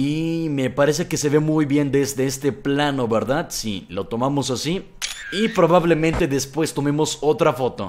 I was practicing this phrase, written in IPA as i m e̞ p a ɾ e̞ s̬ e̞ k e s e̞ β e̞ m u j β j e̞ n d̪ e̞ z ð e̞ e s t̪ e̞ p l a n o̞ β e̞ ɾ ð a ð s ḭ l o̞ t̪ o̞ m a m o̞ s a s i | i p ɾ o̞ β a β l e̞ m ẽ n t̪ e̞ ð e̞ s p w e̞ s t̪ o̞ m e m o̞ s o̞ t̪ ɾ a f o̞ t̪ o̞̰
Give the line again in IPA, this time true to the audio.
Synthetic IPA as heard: i m e̞ p a ɾ e̞ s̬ e̞ k e s e̞ β e̞ m u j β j e̞ n d̪ e̞ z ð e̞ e s t̪ e̞ p l a n o̞ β e̞ ɾ ð a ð s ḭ l o̞ t̪ o̞ m a m o̞ s a s i | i p ɾ o̞ β a β l e̞ m ẽ n t̪ e̞ ð e̞ s p w e̞ s t̪ o̞ m e m o̞ s o̞ t̪ ɾ a f o̞ t̪ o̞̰

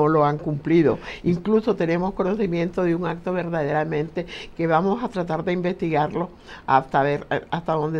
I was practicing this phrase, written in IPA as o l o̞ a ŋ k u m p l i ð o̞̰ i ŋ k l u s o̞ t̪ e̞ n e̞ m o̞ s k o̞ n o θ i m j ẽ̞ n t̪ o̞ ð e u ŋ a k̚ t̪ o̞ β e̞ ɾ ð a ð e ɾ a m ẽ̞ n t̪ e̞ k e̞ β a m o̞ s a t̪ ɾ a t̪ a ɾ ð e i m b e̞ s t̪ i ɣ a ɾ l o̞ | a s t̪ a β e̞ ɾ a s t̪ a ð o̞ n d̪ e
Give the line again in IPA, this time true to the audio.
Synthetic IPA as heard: o l o̞ a ŋ k u m p l i ð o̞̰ i ŋ k l u s o̞ t̪ e̞ n e̞ m o̞ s k o̞ n o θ i m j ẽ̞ n t̪ o̞ ð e u ŋ a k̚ t̪ o̞ β e̞ ɾ ð a ð e ɾ a m ẽ̞ n t̪ e̞ k e̞ β a m o̞ s a t̪ ɾ a t̪ a ɾ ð e i m b e̞ s t̪ i ɣ a ɾ l o̞ | a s t̪ a β e̞ ɾ a s t̪ a ð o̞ n d̪ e

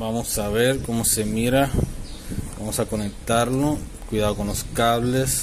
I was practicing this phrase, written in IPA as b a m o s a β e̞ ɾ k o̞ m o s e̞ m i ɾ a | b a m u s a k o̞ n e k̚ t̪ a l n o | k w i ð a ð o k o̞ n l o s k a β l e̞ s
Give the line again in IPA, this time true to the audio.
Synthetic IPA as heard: b a m o s a β e̞ ɾ k o̞ m o s e̞ m i ɾ a | b a m o s a k o̞ n e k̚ t̪ a ɾ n o | k w i ð a ð o k o̞ n l o s k a β l e̞ s

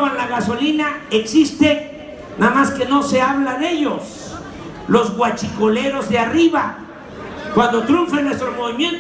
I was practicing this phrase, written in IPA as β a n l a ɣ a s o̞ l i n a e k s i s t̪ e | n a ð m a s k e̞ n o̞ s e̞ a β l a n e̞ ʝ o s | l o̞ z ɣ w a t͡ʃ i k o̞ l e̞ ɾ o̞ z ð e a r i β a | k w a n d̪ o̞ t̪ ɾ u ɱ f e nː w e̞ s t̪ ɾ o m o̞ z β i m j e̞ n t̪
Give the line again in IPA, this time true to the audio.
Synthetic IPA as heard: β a n l a ɣ a s o̞ l i n a e k s i s t̪ e | n a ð m a s k e̞ n o̞ s e̞ a β l a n e̞ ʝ o s | l o̞ z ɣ w a t͡ʃ i k o̞ l e̞ ɾ o̞ z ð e a r i β a | k w a n d̪ o̞ t̪ ɾ u ɱ f e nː w e̞ s t̪ ɾ o m o̞ β i m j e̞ n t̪

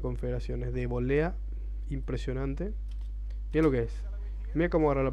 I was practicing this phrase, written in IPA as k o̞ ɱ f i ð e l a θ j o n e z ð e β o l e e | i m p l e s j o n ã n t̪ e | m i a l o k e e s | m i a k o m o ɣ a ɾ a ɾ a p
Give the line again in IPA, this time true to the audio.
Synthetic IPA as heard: k o̞ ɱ f e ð e ɾ a s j o n e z ð e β o l e a | i m p ɾ e s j o n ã n t̪ e | m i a l o k e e s | m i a k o m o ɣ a ɾ a l a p

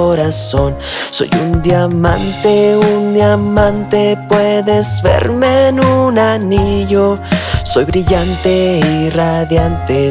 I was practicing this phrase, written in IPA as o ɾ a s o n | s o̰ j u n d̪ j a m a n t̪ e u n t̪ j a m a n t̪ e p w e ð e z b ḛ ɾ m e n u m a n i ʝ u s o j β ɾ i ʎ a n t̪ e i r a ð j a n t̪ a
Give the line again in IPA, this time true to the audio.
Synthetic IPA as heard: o ɾ a s o n | s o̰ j u n d̪ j a m a n t̪ e u n d̪ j a m a n t̪ e p w e ð e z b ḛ ɾ m e n u n a n i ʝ o s o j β ɾ i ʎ a n t̪ e i r a ð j a n t̪ e

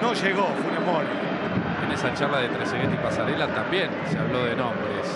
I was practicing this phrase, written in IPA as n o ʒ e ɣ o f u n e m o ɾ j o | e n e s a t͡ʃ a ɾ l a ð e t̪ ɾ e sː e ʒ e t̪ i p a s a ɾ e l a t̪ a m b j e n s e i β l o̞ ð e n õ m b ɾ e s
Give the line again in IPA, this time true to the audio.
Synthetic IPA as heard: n o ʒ e ɣ o f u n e m o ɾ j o | e n e s a t͡ʃ a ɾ l a ð e t̪ ɾ e s e ɣ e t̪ i p a s a ɾ e l a t̪ a m b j e n s e a β l o̞ ð e n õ m b ɾ e s

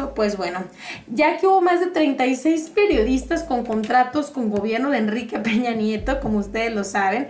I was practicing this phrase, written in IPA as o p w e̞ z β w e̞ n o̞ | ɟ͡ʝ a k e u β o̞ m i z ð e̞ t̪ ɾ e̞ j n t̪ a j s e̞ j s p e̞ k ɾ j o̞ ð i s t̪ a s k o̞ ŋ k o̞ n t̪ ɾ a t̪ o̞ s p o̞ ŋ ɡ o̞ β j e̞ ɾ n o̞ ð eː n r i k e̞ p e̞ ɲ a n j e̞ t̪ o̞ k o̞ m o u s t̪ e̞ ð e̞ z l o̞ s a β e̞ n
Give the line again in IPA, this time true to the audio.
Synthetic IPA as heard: o p w e̞ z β w e̞ n o̞ | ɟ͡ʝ a k e u β o̞ m a z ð e̞ t̪ ɾ e̞ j n t̪ a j s e̞ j s p e̞ ɾ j o̞ ð i s t̪ a s k o̞ ŋ k o̞ n t̪ ɾ a t̪ o̞ s k o̞ ŋ ɡ o̞ β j e̞ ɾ n o̞ ð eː n r i k e̞ p e̞ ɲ a n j e̞ t̪ o̞ k o̞ m o u s t̪ e̞ ð e̞ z l o̞ s a β e̞ n

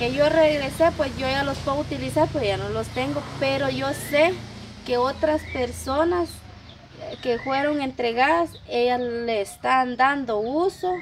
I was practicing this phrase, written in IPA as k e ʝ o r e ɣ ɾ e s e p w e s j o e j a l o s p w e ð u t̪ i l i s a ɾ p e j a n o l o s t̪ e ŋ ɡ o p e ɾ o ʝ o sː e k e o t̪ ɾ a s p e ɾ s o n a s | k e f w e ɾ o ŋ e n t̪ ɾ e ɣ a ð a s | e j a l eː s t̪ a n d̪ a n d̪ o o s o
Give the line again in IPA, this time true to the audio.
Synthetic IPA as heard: k e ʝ o r e ɣ ɾ e s e p w e s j o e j a l o s p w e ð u t̪ i l i s a ɾ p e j a n o l o s t̪ e ŋ ɡ o p e ɾ o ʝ o s e k e o t̪ ɾ a s p e ɾ s o n a s | k e f w e ɾ o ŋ e n t̪ ɾ e ɣ a ð a s | e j a l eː s t̪ a n d̪ a n d̪ o u s o

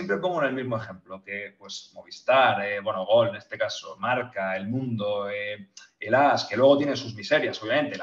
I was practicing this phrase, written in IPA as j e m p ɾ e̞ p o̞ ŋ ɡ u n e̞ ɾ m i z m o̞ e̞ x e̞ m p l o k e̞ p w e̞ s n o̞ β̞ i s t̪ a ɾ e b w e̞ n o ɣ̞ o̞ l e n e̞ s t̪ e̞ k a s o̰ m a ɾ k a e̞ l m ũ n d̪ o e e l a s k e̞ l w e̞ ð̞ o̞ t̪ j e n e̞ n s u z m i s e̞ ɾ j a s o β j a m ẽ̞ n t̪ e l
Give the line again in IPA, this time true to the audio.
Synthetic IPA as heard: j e m p ɾ e̞ p o̞ ŋ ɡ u n e̞ l m i z m o̞ e̞ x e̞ m p l o k e̞ p w e̞ s m o̞ β̞ i s t̪ a ɾ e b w e̞ n o ɣ̞ o̞ l e n e̞ s t̪ e̞ k a s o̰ m a ɾ k a e̞ l m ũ n d̪ o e e l a s k e̞ l w e̞ ɣ̞ o̞ t̪ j e n e̞ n s u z m i s e̞ ɾ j a s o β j a m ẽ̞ n t̪ e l

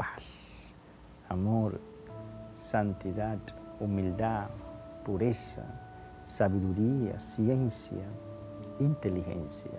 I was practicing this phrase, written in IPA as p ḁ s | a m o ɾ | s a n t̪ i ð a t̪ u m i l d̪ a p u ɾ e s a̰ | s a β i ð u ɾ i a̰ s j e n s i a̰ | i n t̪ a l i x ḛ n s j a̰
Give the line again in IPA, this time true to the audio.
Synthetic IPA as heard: p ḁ s | a m o ɾ | s a n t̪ i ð a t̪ u m i l d̪ a p u ɾ e s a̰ | s a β i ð u ɾ i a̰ s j e n s j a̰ | i n t̪ e l i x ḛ n s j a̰

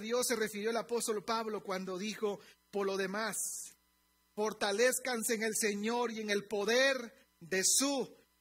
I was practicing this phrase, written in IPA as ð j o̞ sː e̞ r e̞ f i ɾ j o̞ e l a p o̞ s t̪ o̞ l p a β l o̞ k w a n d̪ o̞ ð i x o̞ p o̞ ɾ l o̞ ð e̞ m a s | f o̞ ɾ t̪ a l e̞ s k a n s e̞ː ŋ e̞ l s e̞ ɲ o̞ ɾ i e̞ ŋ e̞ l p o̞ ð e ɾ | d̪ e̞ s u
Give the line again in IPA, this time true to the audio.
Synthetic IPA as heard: ð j o̞ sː e̞ r e̞ f i ɾ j o̞ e l a p o̞ s t̪ o̞ l p a β l o̞ k w a n d̪ o̞ ð i x o̞ p o̞ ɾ l o̞ ð e̞ m a s | f o̞ ɾ t̪ a l e̞ s k a n s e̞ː ŋ e̞ l s e̞ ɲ o̞ ɾ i e̞ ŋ e̞ l p o̞ ð e ɾ | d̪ e̞ s u

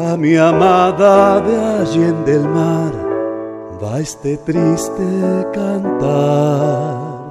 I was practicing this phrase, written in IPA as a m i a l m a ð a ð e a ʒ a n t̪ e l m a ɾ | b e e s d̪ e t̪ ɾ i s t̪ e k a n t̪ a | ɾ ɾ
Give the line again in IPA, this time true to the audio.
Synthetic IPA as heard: a m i a m a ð a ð e a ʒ e n d̪ e l m a ɾ | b a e s t̪ e t̪ ɾ i s t̪ e k a n t̪ a | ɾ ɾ

